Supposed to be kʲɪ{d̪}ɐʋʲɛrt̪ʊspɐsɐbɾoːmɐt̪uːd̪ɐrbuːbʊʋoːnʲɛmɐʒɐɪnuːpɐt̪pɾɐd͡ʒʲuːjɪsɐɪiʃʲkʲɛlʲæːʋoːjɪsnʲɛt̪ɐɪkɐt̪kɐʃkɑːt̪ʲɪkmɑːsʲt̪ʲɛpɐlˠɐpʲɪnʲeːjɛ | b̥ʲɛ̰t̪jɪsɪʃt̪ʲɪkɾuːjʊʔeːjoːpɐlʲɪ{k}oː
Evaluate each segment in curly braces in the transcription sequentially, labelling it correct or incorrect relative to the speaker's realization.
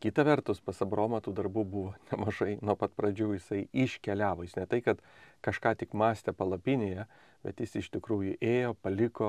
incorrect: t̪, correct

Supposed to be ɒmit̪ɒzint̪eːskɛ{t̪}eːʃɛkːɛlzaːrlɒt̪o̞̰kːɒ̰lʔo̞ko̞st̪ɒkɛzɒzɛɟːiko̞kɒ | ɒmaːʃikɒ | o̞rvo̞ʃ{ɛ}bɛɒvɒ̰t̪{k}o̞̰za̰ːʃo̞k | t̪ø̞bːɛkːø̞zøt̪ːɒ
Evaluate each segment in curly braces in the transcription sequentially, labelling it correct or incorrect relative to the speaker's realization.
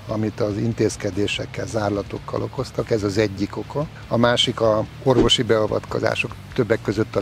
incorrect: d̪, incorrect: i, correct

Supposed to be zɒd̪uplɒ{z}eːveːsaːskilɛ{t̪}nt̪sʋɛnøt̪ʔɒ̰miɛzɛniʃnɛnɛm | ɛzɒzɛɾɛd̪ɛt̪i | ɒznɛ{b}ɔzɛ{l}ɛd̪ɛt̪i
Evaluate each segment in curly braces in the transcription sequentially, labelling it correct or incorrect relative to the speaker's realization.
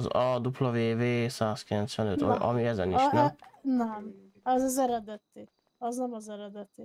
incorrect: v, incorrect: none, incorrect: m, incorrect: ɾ

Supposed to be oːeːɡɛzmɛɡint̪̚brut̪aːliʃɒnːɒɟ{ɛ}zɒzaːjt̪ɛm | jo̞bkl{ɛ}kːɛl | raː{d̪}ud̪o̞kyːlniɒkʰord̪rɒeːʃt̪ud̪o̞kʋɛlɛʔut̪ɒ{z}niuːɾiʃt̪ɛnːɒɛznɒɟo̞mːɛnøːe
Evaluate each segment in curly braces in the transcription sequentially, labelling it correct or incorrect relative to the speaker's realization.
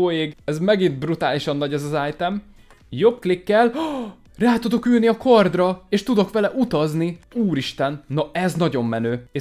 correct, incorrect: i, incorrect: t̪, correct

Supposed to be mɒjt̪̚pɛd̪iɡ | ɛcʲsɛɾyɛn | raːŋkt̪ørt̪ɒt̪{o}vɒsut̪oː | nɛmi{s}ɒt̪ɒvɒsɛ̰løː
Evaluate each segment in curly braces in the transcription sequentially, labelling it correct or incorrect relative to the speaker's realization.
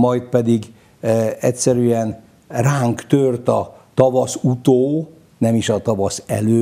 incorrect: ɒ, incorrect: ʃ

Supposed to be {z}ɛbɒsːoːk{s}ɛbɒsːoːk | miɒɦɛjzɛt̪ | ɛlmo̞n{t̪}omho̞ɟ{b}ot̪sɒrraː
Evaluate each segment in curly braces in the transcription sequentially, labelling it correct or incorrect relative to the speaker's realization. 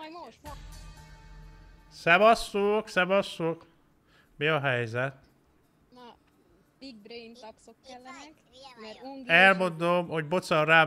incorrect: s, correct, incorrect: d̪, correct

